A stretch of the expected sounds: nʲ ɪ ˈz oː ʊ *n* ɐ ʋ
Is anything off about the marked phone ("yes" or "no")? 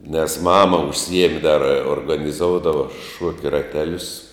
yes